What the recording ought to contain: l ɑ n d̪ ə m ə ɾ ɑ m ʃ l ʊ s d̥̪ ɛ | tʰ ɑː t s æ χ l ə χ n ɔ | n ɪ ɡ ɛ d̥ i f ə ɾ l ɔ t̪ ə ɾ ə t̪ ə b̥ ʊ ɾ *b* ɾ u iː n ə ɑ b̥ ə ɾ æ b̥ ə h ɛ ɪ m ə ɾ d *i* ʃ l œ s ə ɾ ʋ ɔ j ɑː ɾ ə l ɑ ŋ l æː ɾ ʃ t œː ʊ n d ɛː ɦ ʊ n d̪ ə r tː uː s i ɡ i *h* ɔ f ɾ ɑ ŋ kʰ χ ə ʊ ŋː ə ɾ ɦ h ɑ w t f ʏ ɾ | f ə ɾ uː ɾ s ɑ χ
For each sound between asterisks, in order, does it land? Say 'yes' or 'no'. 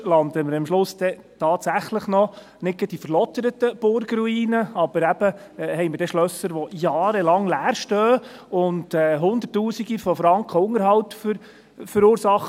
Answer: no, no, no

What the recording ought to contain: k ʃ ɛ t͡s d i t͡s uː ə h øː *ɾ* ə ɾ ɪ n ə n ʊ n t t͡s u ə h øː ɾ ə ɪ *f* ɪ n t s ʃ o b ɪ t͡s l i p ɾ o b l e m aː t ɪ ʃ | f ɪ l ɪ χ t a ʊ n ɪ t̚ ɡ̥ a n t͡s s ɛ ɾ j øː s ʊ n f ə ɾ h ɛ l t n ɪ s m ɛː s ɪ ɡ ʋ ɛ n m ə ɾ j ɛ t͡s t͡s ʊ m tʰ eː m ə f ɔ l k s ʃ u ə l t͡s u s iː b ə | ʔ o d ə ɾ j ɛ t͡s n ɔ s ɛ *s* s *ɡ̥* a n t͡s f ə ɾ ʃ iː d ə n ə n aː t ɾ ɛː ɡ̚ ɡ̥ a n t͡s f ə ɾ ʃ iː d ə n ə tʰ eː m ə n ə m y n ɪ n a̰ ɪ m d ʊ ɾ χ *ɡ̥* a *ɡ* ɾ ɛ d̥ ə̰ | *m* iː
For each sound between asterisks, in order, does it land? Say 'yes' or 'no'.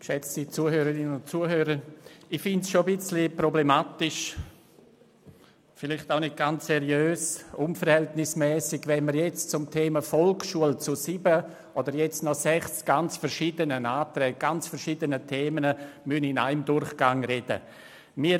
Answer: yes, yes, no, yes, yes, no, yes

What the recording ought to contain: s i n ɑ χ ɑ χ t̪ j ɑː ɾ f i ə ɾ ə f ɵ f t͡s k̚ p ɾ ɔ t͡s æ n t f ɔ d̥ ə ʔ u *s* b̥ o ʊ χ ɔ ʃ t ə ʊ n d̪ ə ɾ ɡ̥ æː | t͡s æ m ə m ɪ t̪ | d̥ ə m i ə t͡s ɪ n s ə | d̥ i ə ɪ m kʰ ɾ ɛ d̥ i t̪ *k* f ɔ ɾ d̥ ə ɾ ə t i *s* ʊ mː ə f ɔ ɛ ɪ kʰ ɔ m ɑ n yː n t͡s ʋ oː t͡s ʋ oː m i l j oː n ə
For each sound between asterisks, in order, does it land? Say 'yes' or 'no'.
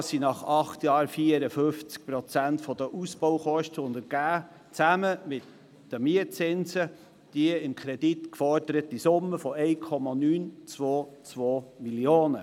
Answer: yes, yes, yes

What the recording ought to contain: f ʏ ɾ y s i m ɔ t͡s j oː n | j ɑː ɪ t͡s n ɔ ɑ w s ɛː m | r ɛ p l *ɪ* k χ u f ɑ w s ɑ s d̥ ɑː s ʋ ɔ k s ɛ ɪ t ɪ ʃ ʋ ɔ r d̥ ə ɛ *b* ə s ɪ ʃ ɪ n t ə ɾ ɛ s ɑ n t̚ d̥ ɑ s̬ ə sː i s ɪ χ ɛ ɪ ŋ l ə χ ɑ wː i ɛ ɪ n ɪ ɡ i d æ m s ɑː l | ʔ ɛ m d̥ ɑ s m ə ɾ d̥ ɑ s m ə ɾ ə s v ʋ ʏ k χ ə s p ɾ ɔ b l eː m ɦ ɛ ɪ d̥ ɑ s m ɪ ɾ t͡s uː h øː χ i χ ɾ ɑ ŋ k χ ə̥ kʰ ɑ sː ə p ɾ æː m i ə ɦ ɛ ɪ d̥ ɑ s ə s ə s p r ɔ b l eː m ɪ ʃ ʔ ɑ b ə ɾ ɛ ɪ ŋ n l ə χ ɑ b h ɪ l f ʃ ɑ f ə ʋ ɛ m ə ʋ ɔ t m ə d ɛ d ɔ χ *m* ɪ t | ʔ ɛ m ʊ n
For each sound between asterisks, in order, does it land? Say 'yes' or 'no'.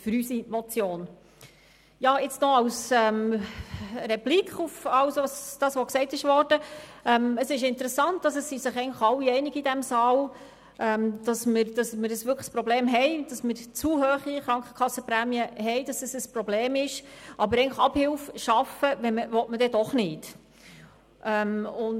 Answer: no, no, no

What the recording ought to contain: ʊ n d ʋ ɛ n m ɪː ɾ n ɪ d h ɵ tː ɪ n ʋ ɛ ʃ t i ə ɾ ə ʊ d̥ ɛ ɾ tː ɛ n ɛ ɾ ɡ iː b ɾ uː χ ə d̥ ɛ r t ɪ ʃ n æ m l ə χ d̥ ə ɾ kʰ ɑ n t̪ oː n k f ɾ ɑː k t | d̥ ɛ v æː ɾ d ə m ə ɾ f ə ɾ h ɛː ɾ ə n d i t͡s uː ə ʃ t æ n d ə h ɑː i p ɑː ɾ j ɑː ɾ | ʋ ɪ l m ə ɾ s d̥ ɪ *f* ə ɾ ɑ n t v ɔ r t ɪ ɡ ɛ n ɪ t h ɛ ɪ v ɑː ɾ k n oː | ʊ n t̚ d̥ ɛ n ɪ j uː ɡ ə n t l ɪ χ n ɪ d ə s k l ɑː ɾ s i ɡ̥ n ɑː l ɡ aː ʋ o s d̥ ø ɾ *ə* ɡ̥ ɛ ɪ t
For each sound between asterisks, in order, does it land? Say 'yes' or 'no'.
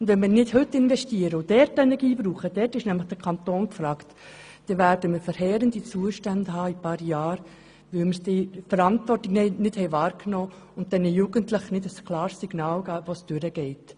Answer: yes, yes

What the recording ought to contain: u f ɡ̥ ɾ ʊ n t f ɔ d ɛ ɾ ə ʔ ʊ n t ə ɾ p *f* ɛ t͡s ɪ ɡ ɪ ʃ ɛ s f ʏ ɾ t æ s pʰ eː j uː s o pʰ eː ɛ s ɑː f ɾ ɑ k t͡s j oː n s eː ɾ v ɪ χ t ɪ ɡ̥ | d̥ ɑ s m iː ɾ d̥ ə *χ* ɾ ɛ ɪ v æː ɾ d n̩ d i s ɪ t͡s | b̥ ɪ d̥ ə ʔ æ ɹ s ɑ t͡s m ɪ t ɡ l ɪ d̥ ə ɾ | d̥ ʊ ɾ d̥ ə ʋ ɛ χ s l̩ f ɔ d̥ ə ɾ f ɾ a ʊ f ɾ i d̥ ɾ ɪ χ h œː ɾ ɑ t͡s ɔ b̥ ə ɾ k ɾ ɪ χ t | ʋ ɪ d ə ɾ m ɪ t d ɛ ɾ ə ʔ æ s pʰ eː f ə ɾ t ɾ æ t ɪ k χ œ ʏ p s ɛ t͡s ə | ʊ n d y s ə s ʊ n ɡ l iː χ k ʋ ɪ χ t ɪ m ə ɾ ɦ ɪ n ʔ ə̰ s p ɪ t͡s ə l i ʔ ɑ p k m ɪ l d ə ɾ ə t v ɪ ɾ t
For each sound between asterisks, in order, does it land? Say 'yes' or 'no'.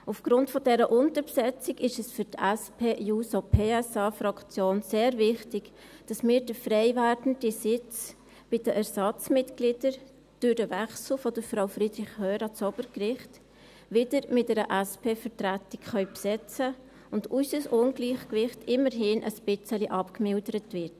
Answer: no, no

